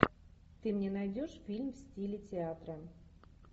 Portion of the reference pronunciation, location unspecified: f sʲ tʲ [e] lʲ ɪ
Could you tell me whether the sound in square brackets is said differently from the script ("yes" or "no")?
yes